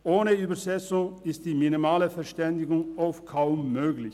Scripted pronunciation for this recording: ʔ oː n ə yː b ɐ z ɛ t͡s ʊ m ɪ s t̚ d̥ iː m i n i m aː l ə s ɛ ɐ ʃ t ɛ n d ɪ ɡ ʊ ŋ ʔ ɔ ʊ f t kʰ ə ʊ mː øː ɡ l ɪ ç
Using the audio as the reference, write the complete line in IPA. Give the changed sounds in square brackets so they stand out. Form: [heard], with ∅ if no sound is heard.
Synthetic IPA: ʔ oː n ə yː b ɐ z ɛ t͡s ʊ [ŋ] ɪ s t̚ d̥ iː m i n i m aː l ə [f] ɛ ɐ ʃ t ɛ n d ɪ ɡ ʊ ŋ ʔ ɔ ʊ f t kʰ [a] ʊ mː øː ɡ l ɪ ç